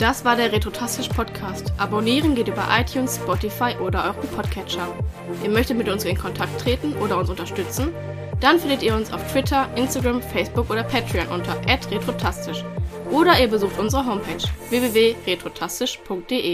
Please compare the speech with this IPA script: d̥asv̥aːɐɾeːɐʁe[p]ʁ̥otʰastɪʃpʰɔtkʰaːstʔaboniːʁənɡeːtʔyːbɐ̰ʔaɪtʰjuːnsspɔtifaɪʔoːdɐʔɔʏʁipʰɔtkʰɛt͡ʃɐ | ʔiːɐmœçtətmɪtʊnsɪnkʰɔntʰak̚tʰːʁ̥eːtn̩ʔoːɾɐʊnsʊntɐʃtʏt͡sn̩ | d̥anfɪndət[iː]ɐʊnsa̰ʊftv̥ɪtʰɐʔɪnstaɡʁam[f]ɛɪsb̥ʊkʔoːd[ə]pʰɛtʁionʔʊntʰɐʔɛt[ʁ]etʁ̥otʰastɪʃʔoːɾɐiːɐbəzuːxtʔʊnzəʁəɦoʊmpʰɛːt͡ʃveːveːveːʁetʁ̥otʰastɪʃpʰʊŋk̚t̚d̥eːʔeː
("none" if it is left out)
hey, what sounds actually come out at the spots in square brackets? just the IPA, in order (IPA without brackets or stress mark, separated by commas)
t, iː, f, ɐ, ʁ